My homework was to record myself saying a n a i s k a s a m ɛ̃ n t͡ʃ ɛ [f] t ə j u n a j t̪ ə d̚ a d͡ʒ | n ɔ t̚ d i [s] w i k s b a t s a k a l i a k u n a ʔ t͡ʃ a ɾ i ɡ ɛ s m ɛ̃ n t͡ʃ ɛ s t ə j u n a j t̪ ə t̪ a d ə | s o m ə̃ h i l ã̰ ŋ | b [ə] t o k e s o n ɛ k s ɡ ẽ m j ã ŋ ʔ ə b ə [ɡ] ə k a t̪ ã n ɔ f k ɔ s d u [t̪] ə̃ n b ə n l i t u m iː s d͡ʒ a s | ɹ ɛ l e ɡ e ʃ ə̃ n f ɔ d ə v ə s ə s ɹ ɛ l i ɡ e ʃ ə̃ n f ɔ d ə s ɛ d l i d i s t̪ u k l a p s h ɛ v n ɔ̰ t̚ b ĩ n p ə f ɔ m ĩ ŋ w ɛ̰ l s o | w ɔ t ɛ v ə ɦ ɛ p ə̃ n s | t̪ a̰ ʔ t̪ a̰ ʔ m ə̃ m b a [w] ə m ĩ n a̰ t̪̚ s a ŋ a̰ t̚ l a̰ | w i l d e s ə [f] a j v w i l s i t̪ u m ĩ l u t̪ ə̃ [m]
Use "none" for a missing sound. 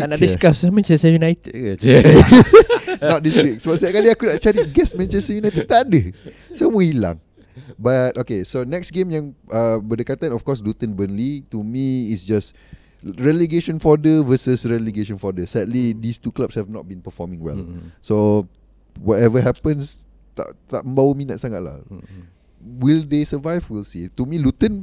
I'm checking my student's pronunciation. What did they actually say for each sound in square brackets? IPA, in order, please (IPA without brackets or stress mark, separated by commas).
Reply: s, s, a, d, t̪, w, v, n